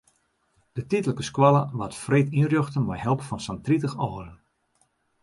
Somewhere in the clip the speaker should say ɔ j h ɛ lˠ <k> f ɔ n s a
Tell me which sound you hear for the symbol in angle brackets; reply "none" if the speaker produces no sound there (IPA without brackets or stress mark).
p